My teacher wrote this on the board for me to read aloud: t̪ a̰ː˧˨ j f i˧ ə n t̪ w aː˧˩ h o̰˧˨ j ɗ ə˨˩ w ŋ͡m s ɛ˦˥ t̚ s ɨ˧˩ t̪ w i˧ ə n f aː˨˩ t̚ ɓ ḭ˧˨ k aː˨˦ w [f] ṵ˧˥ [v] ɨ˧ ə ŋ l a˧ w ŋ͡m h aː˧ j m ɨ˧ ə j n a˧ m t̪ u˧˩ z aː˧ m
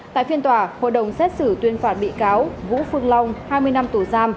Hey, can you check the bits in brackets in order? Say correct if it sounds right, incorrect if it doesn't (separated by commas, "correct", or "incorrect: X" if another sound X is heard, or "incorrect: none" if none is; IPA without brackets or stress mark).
incorrect: v, incorrect: f